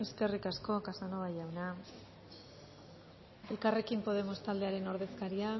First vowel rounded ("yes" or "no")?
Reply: no